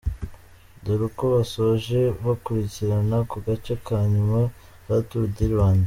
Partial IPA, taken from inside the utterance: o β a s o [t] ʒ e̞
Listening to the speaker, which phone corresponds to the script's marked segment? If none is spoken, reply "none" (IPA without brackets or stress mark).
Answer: none